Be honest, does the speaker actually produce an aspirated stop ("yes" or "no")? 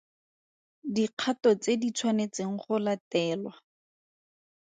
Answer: yes